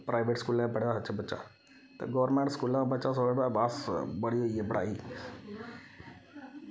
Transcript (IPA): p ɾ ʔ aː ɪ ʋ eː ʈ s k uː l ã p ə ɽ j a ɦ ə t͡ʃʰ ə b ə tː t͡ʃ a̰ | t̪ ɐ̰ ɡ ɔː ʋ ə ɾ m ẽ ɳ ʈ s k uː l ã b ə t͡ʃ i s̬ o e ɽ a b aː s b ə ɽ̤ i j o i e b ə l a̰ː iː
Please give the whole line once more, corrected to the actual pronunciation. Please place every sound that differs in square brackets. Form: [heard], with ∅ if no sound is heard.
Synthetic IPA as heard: p ɾ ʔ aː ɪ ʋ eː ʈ s k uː l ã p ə ɽ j a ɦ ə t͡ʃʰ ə b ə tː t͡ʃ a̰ | t̪ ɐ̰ ɡ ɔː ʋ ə ɾ m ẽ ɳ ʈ s k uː l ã b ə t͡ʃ [a] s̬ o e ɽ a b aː s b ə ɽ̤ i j o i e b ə [ɽ] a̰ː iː